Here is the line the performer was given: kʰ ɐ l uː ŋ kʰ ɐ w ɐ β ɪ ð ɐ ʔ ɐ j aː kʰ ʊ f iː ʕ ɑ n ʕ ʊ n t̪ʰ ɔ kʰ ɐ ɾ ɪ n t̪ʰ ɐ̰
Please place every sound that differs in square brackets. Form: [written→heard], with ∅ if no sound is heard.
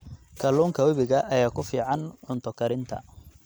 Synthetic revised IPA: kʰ ɐ l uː ŋ kʰ ɐ w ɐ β ɪ [ð→ɣ] ɐ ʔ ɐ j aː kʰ ʊ f iː ʕ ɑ n ʕ ʊ n t̪ʰ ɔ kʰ ɐ ɾ ɪ n t̪ʰ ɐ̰